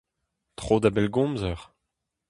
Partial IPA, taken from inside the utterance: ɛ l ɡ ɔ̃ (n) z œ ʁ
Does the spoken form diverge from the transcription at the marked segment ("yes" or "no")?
yes